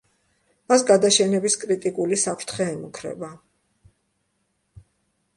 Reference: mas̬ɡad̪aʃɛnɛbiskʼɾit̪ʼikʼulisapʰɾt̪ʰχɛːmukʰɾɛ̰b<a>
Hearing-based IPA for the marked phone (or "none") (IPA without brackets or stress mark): a